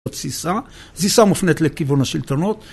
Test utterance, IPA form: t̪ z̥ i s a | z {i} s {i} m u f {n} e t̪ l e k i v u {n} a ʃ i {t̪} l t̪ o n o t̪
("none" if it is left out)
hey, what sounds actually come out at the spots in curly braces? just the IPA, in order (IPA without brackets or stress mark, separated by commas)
i, a, n, n, none